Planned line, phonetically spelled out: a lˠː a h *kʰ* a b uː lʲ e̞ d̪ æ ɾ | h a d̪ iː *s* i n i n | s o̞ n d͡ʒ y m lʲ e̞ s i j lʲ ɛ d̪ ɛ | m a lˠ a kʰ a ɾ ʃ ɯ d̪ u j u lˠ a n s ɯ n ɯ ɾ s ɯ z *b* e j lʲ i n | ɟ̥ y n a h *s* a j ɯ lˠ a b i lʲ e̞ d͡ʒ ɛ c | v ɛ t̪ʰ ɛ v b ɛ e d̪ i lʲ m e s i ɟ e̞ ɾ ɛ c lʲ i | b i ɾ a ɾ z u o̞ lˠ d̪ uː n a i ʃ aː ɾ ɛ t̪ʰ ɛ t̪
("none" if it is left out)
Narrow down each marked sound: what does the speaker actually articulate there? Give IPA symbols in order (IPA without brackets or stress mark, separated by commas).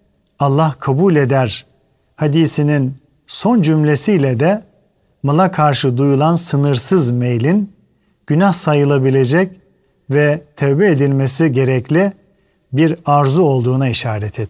kʰ, s, m, s